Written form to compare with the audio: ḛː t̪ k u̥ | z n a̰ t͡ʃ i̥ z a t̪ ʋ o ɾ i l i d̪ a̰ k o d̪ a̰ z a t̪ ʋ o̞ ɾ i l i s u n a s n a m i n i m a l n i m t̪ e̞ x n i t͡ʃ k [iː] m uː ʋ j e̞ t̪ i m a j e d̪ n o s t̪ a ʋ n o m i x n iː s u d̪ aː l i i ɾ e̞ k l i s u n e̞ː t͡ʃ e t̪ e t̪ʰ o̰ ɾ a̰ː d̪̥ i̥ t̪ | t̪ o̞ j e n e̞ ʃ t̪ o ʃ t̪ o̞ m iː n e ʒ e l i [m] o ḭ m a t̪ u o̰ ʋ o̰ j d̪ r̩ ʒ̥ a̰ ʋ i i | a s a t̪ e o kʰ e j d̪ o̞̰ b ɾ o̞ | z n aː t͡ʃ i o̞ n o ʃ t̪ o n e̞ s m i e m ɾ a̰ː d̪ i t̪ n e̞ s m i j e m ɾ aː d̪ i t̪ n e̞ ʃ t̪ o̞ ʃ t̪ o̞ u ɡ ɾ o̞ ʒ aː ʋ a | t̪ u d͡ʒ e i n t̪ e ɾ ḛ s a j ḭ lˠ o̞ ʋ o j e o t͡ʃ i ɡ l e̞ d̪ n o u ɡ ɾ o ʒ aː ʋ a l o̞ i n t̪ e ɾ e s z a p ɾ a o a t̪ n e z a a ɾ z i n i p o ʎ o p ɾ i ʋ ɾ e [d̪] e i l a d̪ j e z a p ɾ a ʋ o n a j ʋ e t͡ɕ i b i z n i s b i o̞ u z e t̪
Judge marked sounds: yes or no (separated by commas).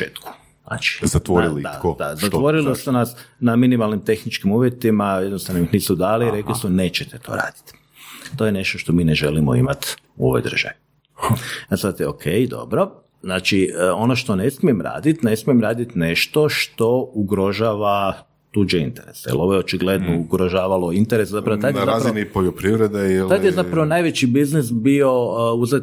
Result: no, yes, yes